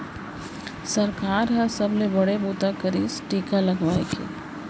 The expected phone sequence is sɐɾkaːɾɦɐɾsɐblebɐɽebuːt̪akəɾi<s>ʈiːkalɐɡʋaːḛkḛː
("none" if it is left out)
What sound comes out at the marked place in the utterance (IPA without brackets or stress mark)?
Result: s